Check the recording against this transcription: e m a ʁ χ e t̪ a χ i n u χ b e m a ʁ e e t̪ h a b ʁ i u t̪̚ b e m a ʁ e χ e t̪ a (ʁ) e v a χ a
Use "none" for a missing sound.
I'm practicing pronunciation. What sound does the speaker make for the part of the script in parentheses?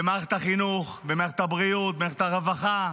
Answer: ʁ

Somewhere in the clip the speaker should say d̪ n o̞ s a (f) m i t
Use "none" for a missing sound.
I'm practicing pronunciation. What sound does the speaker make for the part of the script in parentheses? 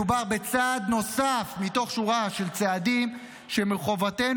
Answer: f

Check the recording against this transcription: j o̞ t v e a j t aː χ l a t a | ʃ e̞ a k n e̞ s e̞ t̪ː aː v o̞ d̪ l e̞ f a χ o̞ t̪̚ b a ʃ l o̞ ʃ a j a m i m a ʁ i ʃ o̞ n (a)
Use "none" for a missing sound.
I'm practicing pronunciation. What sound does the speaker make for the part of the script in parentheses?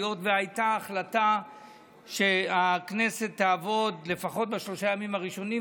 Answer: i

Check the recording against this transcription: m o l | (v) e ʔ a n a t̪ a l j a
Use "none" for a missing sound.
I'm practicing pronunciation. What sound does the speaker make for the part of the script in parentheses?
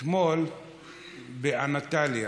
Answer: b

